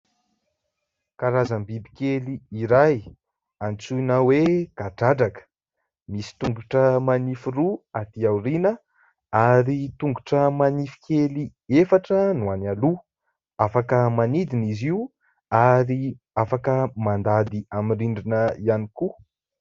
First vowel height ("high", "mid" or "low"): low